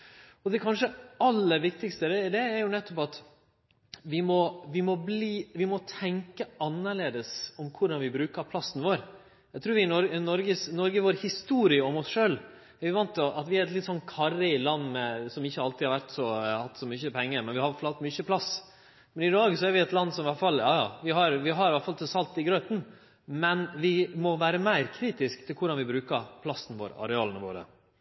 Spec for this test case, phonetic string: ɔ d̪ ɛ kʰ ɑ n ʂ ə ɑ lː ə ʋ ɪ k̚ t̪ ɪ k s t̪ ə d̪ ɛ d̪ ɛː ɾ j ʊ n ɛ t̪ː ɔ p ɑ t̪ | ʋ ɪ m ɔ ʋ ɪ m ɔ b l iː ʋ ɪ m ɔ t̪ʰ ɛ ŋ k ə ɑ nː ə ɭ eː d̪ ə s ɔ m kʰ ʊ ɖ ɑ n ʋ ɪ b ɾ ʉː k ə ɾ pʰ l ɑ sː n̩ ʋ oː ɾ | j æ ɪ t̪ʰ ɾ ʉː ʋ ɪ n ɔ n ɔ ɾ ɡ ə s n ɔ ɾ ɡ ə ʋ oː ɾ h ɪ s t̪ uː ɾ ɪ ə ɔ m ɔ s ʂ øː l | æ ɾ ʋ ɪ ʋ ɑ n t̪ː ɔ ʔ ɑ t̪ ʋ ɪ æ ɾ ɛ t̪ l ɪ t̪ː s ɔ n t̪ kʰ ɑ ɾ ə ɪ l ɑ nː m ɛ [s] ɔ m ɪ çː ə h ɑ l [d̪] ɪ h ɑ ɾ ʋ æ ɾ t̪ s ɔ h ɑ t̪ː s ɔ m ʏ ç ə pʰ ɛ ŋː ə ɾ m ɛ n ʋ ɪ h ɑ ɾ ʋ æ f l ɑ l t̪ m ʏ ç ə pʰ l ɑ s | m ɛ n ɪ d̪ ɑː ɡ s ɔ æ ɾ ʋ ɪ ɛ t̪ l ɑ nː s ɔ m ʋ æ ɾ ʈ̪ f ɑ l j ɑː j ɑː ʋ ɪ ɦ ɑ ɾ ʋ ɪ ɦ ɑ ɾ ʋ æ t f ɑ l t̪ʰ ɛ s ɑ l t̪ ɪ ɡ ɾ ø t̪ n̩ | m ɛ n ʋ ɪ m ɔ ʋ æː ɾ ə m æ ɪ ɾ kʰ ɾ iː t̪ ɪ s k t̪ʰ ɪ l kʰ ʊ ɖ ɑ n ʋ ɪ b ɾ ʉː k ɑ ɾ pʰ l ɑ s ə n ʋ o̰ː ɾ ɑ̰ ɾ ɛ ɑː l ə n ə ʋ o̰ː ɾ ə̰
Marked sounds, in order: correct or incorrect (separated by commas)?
correct, incorrect